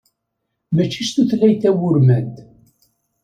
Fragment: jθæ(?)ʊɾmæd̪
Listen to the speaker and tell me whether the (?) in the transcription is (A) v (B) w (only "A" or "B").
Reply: B